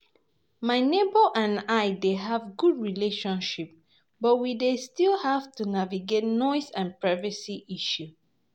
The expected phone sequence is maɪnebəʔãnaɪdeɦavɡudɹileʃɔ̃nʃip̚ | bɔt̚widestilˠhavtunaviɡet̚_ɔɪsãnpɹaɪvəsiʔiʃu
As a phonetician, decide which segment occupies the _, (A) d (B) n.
B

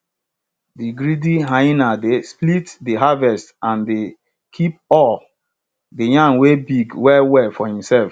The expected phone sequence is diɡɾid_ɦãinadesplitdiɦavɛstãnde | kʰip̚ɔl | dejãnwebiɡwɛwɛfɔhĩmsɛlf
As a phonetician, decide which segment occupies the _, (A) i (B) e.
A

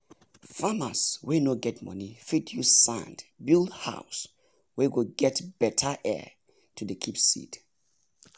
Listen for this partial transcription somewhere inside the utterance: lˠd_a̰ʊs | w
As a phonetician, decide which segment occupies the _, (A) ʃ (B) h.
B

